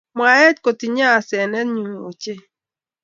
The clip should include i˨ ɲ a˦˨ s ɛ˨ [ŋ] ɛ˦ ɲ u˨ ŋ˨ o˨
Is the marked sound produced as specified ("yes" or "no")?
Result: no